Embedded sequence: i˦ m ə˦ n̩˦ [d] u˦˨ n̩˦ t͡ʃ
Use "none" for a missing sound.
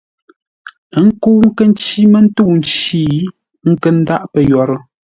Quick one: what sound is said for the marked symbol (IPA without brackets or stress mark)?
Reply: t